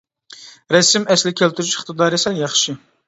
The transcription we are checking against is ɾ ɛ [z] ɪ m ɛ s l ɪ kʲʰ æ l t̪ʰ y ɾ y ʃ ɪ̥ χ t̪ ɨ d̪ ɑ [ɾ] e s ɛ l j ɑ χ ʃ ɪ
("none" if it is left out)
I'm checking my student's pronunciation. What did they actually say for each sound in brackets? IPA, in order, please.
s, ɾ

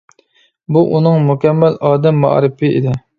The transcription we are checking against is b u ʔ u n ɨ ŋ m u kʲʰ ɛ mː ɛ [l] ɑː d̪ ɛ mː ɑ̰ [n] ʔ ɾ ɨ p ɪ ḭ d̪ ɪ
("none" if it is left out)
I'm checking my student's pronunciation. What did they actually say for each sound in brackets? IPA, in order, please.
l, none

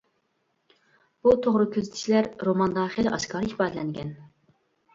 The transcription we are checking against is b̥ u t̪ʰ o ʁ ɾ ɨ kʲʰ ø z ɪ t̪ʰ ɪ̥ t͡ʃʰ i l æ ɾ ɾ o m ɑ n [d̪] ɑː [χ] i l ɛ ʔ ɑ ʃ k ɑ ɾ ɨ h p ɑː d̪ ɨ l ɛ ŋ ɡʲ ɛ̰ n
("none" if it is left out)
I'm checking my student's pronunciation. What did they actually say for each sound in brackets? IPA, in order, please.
d̪, χ

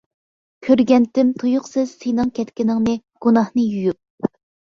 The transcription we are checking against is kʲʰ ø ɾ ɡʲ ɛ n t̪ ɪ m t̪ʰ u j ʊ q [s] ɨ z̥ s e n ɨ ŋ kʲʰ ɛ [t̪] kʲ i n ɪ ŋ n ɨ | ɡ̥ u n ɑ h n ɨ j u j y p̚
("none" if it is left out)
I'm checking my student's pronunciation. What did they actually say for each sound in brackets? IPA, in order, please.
s, t̪

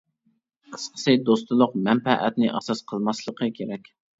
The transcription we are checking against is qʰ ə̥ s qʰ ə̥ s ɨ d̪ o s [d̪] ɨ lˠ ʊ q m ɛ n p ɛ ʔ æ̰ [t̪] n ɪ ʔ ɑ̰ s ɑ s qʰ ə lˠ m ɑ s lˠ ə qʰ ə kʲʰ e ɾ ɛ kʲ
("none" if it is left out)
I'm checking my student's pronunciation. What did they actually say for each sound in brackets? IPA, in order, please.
t̪, t̪

